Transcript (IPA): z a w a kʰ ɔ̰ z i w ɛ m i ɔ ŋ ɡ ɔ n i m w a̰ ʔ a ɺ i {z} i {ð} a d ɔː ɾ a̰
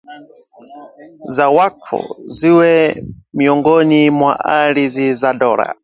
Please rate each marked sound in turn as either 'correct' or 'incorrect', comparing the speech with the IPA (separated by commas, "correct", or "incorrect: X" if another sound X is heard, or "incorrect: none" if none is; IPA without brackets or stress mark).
correct, incorrect: z